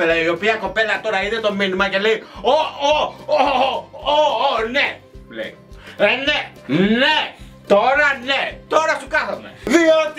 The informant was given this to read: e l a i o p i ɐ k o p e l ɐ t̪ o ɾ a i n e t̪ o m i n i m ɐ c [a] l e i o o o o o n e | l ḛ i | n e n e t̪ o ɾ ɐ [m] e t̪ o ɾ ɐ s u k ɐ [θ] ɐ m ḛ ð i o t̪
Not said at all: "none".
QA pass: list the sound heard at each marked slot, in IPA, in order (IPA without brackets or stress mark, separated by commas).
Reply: e, n, θ